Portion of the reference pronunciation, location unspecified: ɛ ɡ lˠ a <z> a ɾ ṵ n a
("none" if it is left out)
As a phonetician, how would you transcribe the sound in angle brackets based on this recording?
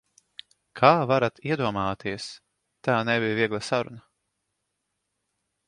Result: s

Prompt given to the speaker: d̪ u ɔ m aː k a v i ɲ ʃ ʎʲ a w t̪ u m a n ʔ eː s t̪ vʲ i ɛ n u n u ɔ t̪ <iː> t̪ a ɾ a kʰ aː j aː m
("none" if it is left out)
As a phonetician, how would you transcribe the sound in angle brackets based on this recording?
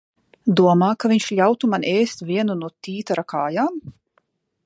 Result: iː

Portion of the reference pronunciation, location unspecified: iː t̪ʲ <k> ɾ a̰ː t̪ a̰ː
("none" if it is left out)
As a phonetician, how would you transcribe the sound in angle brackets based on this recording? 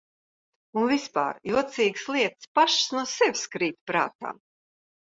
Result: p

